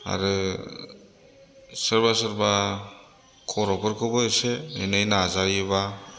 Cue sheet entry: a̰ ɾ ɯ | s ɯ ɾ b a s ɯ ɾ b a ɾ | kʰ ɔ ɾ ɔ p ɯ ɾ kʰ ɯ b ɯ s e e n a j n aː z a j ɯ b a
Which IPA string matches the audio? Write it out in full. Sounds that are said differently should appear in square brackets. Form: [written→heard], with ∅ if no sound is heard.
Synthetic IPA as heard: a̰ ɾ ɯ | s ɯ ɾ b a s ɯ ɾ b a [ɾ→∅] | kʰ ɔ ɾ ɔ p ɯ ɾ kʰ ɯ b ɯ s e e n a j n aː z a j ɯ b a